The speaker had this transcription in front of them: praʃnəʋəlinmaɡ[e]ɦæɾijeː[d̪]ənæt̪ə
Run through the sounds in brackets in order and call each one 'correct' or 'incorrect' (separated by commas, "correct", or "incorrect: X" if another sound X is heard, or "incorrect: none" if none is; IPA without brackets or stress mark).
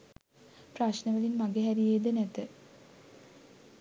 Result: correct, correct